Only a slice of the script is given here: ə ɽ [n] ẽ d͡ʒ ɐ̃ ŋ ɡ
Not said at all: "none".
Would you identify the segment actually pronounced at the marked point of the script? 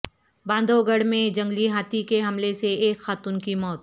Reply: m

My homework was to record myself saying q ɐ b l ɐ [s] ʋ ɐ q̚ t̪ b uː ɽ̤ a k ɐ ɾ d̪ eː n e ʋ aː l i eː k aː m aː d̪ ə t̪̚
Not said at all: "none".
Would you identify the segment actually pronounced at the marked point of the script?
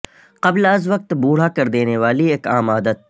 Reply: z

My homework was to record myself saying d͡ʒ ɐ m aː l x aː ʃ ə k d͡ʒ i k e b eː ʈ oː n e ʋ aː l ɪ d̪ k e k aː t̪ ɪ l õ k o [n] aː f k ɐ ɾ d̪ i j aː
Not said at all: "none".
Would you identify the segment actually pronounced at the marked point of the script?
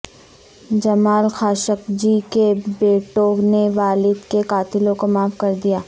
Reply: m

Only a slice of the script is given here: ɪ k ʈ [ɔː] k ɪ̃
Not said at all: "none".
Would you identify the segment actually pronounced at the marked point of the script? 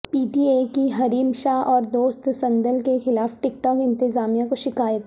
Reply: ɔː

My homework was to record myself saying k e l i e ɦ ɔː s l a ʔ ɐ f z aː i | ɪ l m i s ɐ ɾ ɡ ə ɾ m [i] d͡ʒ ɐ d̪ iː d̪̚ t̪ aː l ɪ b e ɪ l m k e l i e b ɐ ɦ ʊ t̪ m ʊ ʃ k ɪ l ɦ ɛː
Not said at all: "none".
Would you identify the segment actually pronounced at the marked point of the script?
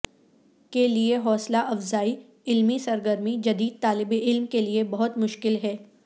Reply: i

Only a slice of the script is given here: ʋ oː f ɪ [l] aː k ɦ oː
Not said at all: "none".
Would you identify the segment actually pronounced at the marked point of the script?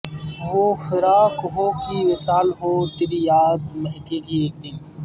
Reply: ɾ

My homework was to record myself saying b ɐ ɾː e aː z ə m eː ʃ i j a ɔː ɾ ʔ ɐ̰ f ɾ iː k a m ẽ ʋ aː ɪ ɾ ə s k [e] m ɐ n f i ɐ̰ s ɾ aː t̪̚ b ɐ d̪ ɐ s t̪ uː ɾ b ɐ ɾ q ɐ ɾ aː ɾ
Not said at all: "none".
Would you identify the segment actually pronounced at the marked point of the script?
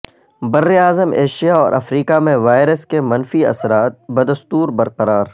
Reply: e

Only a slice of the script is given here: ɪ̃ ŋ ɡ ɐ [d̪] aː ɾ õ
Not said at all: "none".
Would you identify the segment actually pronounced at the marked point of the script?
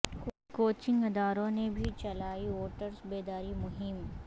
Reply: d̪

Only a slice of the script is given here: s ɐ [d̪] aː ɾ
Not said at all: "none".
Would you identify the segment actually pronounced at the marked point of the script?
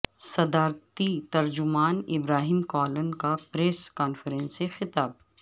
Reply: d̪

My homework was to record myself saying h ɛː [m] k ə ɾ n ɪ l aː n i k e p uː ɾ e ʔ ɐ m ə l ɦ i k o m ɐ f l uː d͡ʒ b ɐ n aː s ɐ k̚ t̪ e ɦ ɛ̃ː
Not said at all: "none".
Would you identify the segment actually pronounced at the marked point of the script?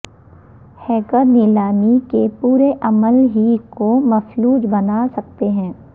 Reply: none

